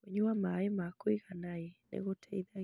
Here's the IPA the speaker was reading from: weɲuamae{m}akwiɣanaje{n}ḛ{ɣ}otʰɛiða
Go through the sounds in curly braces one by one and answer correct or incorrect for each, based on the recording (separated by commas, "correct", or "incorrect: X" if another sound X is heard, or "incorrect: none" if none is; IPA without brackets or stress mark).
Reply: correct, correct, correct